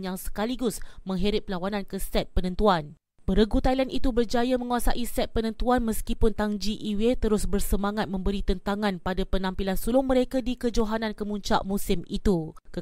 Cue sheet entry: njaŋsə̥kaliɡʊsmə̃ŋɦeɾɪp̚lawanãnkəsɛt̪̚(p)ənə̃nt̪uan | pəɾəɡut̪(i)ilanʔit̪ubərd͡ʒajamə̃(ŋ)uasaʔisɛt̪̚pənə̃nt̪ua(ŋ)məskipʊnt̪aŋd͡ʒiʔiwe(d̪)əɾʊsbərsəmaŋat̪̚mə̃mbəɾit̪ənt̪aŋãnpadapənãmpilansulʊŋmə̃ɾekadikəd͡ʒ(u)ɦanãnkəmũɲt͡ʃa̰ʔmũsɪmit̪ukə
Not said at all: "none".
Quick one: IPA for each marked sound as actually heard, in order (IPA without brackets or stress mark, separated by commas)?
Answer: p, a, ŋ, n, t̪, o